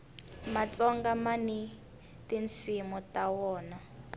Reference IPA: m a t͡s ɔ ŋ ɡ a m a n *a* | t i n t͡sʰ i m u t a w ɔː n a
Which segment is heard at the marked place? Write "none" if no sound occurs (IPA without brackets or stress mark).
i